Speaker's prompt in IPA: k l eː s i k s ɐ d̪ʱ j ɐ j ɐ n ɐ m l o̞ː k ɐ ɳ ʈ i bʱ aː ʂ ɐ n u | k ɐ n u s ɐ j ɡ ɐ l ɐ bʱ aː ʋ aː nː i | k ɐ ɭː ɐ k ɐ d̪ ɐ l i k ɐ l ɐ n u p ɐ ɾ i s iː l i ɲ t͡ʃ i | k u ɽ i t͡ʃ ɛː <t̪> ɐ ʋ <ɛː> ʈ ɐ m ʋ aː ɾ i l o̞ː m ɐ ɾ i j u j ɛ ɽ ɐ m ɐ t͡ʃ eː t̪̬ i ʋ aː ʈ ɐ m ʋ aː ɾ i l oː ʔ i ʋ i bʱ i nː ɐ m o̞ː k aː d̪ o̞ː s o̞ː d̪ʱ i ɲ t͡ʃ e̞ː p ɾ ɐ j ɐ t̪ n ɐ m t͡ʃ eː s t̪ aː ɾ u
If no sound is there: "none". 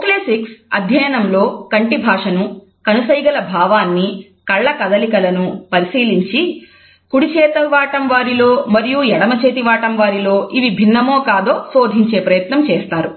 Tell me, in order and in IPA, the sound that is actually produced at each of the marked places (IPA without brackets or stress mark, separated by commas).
t̪, aː